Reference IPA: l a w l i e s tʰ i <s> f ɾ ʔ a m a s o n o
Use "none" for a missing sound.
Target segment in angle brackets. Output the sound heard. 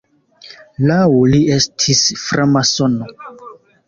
s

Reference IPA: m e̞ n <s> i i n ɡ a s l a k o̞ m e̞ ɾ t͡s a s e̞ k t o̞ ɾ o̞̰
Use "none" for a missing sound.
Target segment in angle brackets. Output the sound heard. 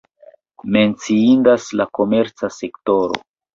t͡s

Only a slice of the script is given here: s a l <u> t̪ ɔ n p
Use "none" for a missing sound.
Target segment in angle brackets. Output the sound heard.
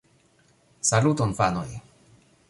u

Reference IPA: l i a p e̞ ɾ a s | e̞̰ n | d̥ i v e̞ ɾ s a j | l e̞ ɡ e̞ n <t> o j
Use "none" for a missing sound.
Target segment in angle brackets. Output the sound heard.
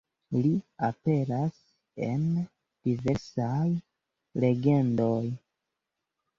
d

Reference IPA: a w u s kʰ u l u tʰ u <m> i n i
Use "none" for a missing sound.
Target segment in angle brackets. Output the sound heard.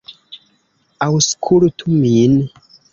m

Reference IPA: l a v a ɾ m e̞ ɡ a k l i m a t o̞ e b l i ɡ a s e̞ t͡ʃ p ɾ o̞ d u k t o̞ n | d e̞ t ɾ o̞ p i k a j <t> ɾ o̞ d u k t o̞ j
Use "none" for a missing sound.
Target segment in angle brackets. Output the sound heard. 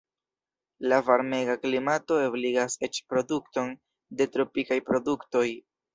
p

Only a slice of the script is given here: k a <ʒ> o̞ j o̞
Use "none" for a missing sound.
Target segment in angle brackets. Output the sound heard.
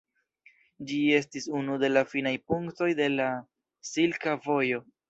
v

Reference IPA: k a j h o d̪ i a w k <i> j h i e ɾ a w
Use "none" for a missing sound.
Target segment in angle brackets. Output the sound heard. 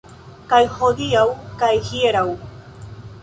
a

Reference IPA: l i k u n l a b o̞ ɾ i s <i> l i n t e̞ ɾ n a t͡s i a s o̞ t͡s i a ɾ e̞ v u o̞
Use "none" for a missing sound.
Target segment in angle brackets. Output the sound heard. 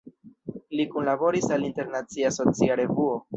a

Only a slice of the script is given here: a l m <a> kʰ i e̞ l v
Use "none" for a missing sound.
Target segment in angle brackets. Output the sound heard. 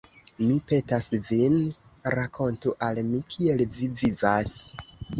i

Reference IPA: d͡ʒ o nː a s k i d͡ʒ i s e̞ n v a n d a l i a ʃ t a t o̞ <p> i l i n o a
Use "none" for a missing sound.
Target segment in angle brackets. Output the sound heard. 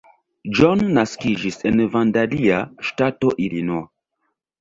ʔ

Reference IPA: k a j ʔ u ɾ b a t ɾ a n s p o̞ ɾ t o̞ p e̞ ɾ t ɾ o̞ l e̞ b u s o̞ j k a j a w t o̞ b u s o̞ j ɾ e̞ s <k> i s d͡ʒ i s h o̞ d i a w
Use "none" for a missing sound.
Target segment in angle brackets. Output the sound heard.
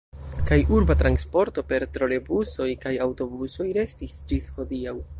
t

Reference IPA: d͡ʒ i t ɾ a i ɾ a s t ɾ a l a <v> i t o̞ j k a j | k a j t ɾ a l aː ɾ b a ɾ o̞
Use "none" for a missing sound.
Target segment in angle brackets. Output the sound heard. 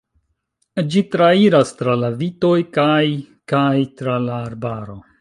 v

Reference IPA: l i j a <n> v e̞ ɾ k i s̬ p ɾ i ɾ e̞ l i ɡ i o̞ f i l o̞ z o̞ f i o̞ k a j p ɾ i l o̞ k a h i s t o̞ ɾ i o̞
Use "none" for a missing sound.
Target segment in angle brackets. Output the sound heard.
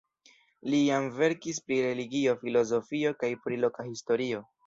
m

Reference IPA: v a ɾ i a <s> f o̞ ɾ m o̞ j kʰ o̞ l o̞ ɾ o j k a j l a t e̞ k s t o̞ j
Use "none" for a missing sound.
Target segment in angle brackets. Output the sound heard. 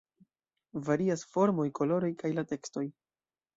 s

